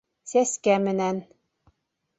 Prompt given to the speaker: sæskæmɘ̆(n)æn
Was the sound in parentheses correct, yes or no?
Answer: yes